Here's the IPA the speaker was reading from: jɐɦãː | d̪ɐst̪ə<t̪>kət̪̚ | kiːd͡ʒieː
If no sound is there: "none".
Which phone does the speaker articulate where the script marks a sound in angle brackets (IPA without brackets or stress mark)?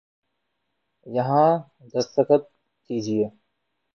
none